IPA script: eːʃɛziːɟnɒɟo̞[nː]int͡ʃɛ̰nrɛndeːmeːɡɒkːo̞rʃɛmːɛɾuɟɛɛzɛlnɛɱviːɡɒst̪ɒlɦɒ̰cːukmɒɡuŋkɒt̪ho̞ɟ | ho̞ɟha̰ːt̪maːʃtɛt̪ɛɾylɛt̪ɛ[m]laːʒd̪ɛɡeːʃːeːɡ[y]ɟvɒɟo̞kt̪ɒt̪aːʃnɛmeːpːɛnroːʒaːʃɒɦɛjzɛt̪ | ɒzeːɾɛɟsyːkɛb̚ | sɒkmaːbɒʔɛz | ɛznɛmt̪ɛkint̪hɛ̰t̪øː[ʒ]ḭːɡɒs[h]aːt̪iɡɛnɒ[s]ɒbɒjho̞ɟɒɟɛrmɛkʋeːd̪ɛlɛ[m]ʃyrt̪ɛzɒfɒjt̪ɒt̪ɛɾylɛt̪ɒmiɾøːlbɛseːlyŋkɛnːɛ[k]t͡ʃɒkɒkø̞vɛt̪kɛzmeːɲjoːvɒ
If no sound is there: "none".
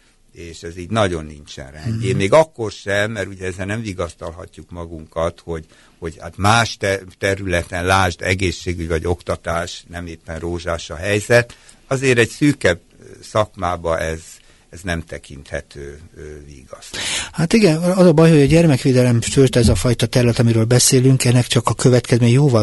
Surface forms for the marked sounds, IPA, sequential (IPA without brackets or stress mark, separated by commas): nː, n, y, v, h, z, m, k